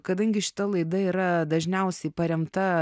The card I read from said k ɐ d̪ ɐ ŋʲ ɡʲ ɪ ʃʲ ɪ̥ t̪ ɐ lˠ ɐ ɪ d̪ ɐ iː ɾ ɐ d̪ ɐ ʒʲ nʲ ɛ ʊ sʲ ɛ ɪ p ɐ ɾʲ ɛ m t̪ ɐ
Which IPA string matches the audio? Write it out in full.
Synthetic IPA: k ɐ d̪ ɐ ŋʲ ɡʲ ɪ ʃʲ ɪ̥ t̪ ɐ lˠ ɐ ɪ d̪ ɐ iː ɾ ɐ d̪ ɐ ʒʲ nʲ ɛ ʊ sʲ ɛ ɪ p ɐ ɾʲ ɛ m t̪ ɐ